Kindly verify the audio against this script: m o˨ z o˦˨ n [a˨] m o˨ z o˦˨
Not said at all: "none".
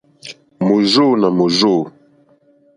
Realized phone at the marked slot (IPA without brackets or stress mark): a˨